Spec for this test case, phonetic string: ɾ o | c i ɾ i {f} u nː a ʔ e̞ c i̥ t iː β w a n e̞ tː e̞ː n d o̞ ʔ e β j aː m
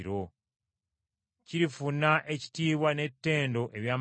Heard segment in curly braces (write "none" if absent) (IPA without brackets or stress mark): f